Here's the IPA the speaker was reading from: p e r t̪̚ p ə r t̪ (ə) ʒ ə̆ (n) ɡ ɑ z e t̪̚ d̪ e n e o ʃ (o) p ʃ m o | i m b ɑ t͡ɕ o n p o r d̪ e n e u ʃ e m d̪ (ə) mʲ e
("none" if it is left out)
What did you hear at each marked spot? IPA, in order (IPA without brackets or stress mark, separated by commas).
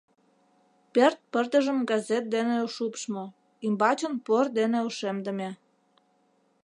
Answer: ə, m, u, ə